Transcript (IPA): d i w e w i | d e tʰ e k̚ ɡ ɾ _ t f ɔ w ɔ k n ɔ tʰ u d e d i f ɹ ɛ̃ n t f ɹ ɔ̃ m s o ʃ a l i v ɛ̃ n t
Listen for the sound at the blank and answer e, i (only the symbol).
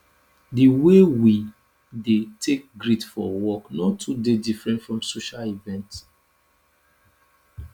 i